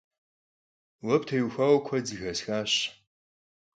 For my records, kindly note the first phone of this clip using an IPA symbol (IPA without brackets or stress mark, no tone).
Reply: w